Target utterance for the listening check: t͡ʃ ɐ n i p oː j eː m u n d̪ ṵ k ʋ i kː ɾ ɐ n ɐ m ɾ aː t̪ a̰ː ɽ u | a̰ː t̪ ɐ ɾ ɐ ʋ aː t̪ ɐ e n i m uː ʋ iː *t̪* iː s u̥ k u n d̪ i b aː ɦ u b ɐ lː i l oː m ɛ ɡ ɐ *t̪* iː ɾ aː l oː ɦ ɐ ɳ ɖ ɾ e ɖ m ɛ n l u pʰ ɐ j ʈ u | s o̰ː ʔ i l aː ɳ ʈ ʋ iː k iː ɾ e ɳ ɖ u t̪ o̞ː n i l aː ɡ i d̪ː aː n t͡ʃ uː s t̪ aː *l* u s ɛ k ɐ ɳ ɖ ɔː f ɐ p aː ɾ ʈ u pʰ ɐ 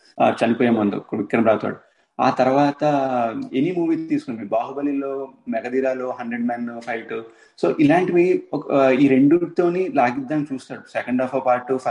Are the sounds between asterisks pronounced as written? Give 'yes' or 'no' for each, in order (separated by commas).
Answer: yes, no, no